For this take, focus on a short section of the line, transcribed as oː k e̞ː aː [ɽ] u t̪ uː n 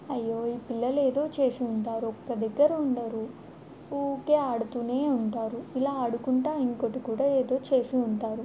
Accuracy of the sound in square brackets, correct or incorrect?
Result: correct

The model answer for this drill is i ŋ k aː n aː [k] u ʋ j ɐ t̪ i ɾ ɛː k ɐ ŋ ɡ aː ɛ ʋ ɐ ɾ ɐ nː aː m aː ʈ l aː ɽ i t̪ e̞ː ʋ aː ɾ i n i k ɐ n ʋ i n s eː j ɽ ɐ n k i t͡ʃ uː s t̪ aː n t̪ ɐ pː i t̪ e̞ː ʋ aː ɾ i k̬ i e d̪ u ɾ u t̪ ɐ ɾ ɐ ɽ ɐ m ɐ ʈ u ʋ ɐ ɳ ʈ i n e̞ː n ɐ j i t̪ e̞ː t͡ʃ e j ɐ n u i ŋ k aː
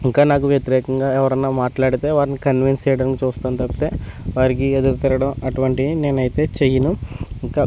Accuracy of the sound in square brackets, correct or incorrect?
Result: correct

